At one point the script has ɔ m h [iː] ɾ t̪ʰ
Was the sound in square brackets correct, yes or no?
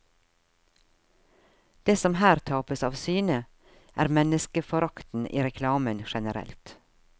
no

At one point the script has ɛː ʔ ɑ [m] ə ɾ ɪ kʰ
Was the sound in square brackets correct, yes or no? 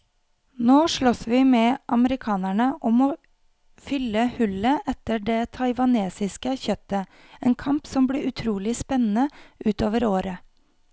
yes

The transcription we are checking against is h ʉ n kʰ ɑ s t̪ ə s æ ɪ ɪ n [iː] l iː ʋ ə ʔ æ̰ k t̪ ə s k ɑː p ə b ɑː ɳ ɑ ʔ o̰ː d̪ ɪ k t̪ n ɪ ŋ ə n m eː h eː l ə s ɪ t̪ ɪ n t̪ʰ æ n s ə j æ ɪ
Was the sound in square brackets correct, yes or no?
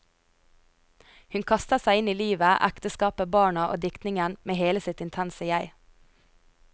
yes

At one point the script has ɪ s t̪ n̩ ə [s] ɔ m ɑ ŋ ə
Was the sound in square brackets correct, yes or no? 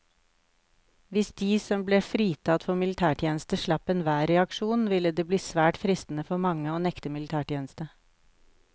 no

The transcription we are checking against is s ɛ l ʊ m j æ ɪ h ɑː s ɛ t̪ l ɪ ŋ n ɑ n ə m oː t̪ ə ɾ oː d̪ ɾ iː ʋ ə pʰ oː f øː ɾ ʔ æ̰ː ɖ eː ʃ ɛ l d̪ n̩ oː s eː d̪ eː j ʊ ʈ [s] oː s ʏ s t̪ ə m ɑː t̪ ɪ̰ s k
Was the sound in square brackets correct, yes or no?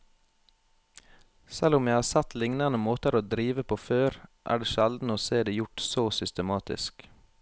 yes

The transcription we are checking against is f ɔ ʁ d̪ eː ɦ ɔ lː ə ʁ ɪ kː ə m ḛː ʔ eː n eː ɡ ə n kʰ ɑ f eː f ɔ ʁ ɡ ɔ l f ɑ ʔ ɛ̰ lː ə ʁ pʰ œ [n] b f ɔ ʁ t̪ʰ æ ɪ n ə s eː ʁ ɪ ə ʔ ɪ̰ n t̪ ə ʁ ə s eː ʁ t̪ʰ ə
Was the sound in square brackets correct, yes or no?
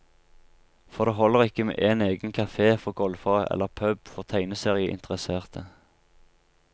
no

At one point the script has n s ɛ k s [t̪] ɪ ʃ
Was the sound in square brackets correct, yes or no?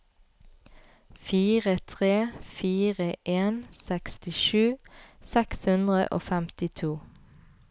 yes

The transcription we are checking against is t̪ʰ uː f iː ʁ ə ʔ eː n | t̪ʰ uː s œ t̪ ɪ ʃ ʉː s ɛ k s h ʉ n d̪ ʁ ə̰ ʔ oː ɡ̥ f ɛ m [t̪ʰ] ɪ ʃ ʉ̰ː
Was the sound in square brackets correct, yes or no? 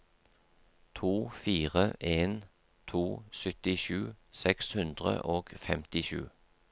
no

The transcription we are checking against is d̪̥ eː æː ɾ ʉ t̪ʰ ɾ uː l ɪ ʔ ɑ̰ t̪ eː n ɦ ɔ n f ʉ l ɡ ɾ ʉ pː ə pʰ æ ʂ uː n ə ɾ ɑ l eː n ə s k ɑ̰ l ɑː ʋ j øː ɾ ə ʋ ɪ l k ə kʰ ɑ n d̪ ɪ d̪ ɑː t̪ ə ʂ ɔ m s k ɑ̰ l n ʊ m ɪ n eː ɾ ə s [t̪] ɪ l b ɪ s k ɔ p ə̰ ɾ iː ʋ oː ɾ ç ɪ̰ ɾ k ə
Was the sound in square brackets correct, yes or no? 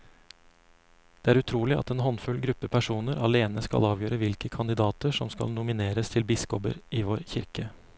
no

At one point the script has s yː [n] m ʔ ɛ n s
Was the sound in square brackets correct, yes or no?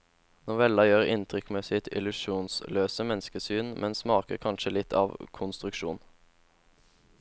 yes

